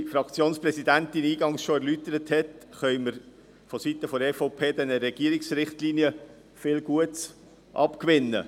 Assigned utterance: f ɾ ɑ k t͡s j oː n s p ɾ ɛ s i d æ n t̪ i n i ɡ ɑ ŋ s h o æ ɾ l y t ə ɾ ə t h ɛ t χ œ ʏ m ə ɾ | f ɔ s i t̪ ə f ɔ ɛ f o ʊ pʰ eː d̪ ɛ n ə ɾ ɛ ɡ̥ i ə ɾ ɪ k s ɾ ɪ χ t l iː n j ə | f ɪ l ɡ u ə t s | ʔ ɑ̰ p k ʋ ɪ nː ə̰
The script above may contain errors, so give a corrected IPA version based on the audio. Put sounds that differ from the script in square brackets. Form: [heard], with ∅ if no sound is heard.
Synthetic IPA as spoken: f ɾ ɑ k t͡s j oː n s p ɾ ɛ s i d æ n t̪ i n [iː] ɡ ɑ ŋ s [ʃ] o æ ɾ l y t ə ɾ ə t h ɛ t χ œ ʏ m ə ɾ | f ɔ s i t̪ ə f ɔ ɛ f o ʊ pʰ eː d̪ ɛ n ə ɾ ɛ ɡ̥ i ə ɾ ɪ k s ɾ ɪ χ t l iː n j ə | f ɪ l ɡ u ə t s | ʔ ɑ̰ p k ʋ ɪ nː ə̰